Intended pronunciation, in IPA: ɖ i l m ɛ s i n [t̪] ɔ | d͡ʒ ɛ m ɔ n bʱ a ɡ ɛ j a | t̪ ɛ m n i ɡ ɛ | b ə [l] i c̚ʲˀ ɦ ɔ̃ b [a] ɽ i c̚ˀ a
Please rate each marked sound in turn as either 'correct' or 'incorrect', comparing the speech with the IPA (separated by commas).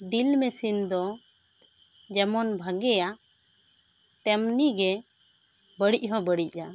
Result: incorrect, incorrect, incorrect